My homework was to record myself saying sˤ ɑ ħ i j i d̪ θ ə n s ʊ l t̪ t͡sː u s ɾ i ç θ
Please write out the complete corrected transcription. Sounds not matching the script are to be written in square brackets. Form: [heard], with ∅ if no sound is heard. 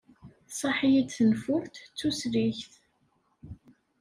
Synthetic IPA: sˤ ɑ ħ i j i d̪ θ ə n [f] ʊ [ɾ] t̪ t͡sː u s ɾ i ç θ